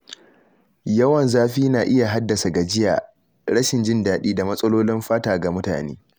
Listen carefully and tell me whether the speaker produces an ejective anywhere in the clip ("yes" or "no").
yes